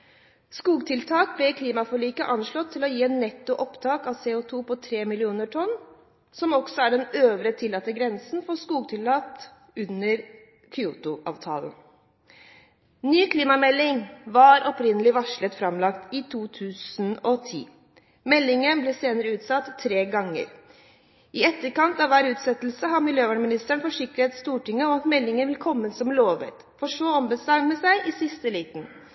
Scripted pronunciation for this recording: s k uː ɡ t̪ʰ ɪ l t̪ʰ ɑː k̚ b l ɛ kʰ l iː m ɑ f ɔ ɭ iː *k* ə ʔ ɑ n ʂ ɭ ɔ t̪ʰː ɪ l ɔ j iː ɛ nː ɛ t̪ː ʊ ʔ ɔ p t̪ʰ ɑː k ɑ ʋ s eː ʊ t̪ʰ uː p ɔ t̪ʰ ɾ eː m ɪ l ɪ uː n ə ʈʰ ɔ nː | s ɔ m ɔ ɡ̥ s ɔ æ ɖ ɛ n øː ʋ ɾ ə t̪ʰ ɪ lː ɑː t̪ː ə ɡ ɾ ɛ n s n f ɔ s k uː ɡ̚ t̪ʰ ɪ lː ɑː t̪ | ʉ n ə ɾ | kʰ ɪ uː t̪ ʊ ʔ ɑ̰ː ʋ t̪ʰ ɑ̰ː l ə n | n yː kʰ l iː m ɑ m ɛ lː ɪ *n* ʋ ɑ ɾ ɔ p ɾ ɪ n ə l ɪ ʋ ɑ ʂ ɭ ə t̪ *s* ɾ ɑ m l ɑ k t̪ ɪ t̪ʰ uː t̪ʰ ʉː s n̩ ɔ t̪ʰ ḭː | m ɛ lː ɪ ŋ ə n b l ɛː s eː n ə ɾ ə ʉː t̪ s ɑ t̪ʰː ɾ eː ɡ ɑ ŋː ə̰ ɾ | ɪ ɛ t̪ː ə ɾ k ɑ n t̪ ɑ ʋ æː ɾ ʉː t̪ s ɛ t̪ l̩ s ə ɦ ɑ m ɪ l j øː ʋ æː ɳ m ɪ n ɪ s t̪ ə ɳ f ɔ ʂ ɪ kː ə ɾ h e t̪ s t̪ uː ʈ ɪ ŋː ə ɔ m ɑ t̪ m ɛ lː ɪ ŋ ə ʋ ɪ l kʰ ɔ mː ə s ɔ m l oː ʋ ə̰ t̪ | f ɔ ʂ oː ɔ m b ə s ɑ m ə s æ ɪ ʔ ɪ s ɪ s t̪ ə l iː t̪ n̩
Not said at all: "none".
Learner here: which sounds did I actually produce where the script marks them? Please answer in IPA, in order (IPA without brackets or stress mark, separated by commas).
k, ŋ, f